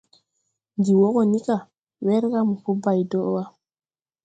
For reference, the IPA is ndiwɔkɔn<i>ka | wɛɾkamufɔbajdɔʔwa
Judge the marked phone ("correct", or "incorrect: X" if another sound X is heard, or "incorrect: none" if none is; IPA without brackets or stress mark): correct